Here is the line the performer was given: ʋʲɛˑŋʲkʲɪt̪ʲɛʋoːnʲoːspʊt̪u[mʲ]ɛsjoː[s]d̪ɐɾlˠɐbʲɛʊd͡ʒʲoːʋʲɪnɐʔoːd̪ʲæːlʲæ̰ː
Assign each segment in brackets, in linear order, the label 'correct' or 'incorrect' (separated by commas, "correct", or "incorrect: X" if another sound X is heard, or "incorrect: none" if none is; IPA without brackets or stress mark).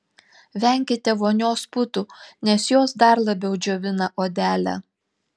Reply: incorrect: nʲ, correct